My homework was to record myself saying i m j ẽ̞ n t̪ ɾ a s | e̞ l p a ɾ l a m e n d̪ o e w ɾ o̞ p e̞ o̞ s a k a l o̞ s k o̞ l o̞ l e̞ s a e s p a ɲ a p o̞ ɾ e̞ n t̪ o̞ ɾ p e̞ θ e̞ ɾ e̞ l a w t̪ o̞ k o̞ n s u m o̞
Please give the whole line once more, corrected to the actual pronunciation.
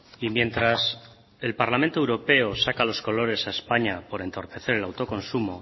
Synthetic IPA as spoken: i m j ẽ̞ n t̪ ɾ a s | e̞ l p a ɾ l a m e n t̪ o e w ɾ o̞ p e̞ o̞ s a k a l o̞ s k o̞ l o̞ ɾ e̞ s a e s p a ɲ a p o̞ ɾ e̞ n t̪ o̞ ɾ p e̞ θ e̞ ɾ e̞ l a w t̪ o̞ k o̞ n s u m o̞